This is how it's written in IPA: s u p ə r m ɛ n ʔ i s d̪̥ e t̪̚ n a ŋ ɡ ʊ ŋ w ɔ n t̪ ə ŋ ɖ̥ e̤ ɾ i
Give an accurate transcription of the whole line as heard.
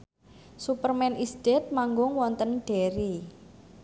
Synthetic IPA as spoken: s u p ə r m ɛ n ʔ i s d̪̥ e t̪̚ m a ŋ ɡ ʊ ŋ w ɔ n t̪ ə n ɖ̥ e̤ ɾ i